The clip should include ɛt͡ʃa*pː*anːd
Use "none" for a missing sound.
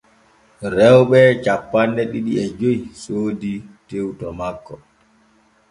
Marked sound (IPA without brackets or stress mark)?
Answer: pː